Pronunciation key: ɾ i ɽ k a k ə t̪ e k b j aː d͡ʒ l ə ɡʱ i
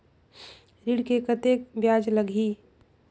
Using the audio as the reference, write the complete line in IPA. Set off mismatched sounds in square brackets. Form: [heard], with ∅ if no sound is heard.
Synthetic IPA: ɾ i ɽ k [e] k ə t̪ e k b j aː d͡ʒ l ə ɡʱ i